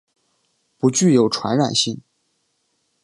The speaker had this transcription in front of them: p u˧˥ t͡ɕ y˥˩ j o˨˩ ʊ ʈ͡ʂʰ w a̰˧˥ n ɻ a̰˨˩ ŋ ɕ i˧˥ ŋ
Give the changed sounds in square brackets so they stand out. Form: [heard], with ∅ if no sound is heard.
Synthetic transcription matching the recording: p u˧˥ t͡ɕ y˥˩ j o˨˩ ʊ ʈ͡ʂʰ w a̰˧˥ n ɻ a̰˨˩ [n] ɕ [i˥˩] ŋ